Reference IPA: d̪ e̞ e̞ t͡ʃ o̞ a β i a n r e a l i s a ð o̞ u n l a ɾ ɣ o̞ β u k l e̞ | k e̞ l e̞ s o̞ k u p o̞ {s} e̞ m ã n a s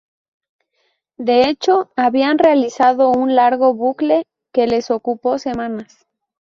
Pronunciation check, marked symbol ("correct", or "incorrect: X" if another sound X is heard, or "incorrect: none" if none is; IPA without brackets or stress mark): correct